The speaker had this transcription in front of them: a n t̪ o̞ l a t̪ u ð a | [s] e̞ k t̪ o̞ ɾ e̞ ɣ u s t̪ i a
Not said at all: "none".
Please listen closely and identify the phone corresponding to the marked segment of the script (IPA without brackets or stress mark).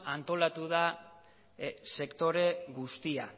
s